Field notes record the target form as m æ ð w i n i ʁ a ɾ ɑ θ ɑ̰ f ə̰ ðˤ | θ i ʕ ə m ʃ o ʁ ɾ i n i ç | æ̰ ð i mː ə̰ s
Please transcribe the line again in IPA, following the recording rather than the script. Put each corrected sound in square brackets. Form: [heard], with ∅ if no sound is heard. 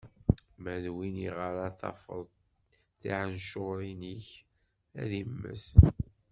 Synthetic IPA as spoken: m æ ð w i n i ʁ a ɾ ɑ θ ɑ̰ f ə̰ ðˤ | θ i ʕ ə [n] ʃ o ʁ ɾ i n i ç | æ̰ ð i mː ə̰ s